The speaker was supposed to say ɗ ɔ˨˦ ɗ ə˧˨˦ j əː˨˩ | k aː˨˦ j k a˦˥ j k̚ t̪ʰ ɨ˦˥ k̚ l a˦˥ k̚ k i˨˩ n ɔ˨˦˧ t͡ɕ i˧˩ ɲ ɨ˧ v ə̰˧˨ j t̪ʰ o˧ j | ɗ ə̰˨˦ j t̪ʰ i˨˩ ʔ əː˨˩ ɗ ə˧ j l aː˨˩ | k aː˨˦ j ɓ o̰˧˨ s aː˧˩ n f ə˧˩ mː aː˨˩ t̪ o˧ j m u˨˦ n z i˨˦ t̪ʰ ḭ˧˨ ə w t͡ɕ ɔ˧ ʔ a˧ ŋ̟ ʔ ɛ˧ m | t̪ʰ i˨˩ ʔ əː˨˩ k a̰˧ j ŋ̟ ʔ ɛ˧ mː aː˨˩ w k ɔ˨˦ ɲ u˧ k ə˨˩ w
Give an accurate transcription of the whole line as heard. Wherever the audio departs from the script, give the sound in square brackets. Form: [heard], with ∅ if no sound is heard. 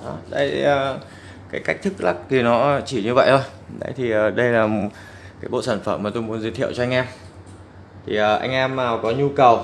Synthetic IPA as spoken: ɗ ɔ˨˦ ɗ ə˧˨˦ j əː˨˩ | k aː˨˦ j k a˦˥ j k̚ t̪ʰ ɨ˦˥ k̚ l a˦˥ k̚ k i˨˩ n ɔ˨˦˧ t͡ɕ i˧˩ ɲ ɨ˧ v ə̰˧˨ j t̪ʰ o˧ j | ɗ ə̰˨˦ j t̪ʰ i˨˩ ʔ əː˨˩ ɗ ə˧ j l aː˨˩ | k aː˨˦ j ɓ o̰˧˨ s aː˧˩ n f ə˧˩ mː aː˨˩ t̪ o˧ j m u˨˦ n z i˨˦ t̪ʰ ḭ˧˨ ə w t͡ɕ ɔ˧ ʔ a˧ ŋ̟ ʔ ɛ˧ m | t̪ʰ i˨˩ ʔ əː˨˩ [ʔ] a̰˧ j ŋ̟ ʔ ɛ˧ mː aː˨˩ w k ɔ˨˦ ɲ u˧ k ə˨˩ w